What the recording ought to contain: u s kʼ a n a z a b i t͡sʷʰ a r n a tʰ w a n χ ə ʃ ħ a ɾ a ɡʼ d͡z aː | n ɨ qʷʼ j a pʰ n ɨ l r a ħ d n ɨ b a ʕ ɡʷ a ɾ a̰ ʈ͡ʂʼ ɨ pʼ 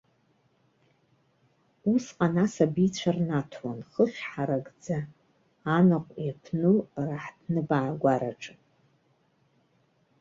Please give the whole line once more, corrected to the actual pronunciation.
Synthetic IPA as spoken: u s qʼ a n a s a b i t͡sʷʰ a r n a tʰ w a n χ ə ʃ ħ a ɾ a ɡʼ d͡z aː | n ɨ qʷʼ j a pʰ n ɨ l r a ħ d n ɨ b a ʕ ɡʷ a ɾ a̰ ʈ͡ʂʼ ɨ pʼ